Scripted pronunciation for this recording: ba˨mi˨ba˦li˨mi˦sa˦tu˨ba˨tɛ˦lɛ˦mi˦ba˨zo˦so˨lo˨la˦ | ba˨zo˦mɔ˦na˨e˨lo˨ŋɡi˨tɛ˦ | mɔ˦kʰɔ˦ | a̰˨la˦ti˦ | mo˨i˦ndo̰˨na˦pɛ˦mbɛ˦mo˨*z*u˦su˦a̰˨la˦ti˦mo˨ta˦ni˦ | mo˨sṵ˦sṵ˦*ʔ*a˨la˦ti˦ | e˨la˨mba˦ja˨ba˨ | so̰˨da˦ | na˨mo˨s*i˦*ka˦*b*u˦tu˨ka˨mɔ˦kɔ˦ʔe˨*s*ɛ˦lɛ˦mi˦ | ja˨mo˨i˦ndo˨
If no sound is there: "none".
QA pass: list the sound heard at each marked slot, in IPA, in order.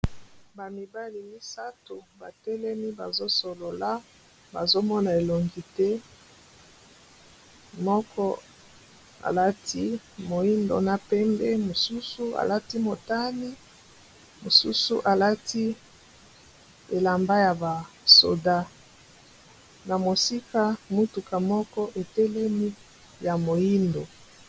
s, ʔ, i˦, m, t

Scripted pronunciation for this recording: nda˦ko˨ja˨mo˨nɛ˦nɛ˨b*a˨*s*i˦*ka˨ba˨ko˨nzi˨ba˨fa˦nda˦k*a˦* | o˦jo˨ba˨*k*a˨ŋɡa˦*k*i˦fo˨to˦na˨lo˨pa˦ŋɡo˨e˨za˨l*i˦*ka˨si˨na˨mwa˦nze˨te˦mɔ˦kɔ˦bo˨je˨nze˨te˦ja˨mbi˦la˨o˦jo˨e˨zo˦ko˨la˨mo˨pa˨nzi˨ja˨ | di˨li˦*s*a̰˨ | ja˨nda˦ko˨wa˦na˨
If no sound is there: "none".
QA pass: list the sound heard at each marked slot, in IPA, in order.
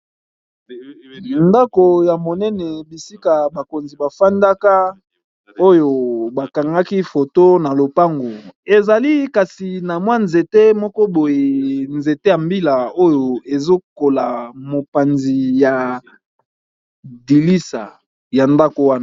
i˨, i˦, a˦, k, k, i˦, s

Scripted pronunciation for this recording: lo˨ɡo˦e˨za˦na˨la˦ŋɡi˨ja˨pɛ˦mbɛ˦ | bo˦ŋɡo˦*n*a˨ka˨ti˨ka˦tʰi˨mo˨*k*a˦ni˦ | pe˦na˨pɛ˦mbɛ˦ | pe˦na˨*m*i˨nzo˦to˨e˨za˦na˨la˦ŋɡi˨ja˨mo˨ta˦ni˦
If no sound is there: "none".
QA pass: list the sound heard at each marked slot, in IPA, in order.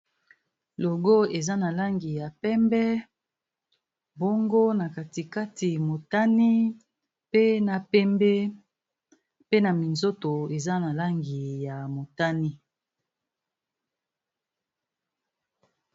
n, t, m

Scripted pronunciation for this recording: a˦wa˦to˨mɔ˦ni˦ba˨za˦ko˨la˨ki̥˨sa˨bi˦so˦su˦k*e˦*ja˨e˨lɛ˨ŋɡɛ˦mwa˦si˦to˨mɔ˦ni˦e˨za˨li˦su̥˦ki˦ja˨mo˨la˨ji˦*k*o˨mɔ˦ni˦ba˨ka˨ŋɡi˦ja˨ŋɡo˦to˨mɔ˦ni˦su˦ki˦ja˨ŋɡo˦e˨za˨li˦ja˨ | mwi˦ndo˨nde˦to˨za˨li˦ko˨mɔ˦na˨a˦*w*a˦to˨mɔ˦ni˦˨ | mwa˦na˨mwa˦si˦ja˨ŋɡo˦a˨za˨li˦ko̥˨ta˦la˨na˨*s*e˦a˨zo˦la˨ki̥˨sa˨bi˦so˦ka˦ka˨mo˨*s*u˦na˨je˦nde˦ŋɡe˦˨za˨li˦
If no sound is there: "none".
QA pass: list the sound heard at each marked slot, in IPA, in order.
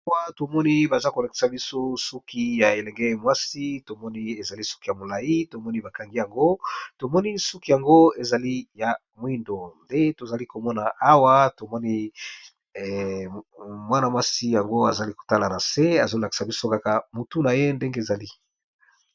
i˦, t, w, s, t

